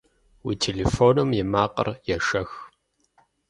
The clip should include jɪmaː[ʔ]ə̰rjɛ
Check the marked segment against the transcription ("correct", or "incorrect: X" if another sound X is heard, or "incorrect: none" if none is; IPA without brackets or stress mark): incorrect: q